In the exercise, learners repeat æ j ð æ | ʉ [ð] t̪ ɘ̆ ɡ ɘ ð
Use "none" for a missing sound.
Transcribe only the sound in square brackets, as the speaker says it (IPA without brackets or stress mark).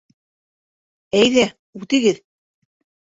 none